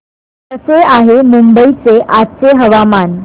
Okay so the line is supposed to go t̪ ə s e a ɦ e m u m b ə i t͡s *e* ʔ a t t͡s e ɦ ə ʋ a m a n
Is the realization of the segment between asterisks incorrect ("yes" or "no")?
no